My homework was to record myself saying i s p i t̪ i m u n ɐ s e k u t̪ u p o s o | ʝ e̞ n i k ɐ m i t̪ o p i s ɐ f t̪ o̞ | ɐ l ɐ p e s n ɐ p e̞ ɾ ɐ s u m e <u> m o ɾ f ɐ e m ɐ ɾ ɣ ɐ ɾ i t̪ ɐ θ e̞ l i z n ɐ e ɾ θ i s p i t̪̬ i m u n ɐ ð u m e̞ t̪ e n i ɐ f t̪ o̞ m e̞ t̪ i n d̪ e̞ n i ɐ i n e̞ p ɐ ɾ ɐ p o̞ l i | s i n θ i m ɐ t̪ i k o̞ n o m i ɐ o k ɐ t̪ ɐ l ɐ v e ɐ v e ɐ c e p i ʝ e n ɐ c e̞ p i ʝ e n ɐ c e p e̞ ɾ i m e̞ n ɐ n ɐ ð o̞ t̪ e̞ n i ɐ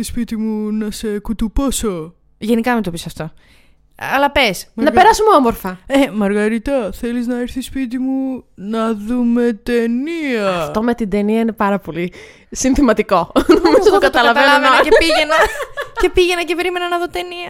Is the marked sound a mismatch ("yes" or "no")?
yes